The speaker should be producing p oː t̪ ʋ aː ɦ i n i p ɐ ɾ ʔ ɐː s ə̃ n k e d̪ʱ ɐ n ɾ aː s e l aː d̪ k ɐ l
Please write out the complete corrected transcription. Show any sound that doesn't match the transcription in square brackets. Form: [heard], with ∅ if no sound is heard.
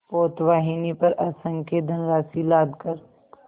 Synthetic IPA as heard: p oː t̪ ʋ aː ɦ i n i p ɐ ɾ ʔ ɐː s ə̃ [ŋ] k e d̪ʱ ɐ n ɾ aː s [i] l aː d̪ k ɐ [ɾ]